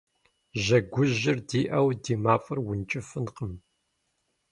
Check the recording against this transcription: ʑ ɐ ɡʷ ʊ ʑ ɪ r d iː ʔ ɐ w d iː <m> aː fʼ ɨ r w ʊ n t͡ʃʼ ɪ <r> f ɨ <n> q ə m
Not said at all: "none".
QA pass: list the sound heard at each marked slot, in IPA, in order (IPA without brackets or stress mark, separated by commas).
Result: m, none, n